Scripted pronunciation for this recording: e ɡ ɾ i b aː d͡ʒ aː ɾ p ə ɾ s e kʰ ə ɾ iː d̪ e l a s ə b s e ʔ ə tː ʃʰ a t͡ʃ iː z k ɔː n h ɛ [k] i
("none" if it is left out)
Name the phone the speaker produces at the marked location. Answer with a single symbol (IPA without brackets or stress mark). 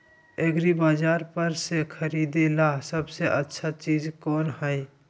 none